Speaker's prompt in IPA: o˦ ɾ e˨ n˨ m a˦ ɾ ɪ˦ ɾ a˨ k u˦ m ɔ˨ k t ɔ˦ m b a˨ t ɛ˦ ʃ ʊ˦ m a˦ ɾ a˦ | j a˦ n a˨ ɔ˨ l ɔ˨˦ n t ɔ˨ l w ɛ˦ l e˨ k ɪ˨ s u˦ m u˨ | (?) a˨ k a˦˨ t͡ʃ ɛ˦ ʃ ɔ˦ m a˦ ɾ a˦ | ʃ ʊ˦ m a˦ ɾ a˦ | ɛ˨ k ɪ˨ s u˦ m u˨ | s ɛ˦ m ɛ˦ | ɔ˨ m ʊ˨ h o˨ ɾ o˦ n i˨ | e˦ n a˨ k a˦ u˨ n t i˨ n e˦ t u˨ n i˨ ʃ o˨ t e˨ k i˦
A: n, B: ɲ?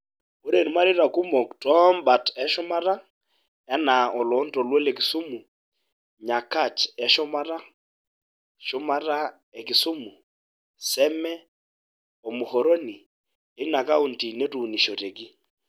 B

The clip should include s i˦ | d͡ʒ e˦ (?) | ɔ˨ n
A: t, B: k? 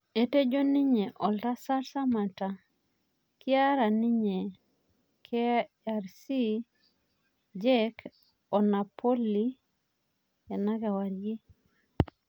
B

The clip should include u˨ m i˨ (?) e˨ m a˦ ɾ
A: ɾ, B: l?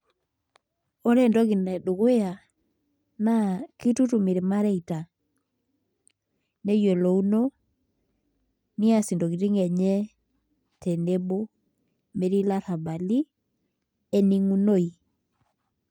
A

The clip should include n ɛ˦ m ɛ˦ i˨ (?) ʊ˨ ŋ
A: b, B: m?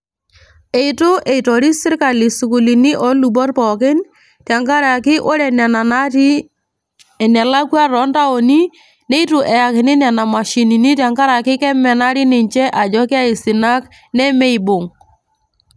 A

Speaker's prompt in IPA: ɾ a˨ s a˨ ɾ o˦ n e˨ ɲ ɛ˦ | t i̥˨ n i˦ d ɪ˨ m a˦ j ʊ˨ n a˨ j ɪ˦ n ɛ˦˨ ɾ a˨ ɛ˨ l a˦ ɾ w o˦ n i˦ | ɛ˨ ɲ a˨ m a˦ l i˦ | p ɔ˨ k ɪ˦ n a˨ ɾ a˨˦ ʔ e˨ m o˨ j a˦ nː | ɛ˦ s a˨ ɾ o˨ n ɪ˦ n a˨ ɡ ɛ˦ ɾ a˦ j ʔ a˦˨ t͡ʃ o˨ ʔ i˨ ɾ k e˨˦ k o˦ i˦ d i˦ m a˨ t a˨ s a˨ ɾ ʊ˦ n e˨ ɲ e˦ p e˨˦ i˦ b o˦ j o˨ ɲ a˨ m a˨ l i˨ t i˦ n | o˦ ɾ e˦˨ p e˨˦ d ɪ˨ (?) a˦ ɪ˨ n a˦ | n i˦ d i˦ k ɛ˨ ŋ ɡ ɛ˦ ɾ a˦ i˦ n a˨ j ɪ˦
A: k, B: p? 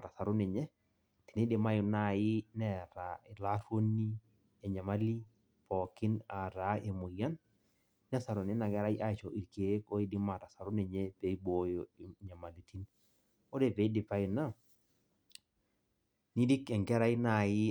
B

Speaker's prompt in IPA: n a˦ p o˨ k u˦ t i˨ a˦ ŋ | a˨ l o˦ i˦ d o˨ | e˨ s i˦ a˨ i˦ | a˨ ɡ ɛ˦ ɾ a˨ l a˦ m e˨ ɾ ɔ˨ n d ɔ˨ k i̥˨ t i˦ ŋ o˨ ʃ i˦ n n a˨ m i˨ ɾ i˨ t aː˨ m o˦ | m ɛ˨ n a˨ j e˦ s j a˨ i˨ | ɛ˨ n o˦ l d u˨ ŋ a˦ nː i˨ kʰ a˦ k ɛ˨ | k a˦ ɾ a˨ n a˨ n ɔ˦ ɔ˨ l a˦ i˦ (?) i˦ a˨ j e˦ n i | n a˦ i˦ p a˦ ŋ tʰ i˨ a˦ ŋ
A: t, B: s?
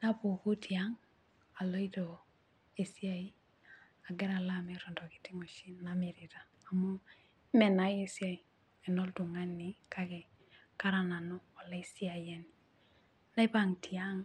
B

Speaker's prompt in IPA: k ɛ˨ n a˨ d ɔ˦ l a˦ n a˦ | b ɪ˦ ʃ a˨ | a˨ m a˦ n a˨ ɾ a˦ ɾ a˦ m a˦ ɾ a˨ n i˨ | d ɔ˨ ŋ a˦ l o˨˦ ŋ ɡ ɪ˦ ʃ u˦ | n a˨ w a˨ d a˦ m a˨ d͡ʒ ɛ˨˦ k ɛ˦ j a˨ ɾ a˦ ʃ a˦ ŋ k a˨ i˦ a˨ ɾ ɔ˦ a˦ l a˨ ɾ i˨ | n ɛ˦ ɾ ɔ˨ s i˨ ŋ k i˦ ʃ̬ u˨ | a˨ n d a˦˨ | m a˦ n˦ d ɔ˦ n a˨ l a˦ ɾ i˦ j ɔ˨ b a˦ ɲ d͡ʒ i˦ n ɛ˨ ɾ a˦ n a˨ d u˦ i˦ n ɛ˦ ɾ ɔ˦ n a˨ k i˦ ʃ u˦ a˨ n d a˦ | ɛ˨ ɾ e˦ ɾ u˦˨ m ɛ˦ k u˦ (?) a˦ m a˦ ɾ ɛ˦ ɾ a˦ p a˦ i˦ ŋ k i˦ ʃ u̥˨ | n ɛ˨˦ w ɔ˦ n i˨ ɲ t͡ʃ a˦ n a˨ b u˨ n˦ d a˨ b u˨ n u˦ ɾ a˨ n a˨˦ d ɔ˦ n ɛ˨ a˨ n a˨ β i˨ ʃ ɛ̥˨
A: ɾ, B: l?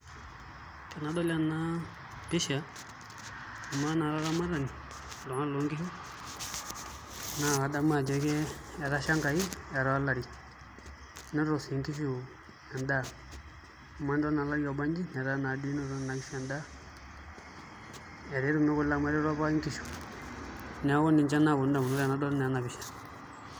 B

